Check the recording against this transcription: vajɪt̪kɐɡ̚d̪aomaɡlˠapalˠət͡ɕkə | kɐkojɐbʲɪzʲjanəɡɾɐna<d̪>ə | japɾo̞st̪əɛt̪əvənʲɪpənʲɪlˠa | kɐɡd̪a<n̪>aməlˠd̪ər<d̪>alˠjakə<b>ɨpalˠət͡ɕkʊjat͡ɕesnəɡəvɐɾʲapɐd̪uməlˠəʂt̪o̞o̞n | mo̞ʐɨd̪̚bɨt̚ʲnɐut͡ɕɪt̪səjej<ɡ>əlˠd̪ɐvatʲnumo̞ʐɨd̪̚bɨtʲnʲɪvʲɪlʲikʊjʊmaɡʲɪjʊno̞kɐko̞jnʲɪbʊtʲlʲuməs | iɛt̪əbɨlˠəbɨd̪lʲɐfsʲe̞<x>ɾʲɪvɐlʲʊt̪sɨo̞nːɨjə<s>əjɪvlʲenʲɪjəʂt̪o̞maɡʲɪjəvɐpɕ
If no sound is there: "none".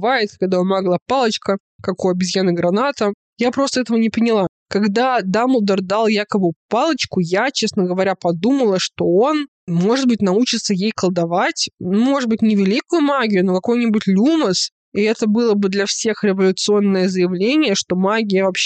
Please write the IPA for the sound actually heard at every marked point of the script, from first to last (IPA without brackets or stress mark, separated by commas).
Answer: t̪, d̪, d̪, b, k, x, z